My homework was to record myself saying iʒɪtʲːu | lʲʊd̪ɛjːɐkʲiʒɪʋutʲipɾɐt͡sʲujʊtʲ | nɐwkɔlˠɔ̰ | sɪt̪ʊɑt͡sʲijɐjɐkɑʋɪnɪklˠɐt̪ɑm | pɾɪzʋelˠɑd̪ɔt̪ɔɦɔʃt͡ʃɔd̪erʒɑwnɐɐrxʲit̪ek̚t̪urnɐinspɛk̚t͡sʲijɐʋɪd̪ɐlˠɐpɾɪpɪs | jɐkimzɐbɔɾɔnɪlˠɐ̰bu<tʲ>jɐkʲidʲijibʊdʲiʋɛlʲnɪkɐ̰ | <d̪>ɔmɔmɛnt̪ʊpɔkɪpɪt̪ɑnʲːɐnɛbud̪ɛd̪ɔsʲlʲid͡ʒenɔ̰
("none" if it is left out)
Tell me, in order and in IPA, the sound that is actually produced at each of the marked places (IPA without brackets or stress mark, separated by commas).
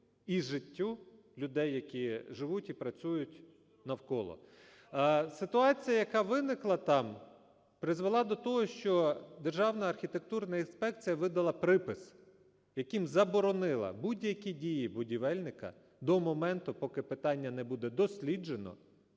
dʲ, d̪